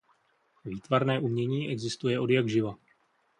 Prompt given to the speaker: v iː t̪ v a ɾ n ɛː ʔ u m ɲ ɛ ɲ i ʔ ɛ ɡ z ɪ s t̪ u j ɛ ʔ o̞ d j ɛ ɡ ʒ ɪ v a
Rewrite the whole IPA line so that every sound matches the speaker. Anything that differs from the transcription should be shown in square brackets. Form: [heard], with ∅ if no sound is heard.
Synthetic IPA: v iː t̪ v a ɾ n ɛː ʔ u m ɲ ɛ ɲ [iː] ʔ ɛ ɡ z ɪ s t̪ u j ɛ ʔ o̞ d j [a] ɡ ʒ ɪ v a